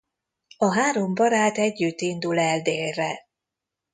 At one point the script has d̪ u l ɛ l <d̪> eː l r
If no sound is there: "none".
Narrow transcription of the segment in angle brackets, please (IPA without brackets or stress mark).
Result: d̪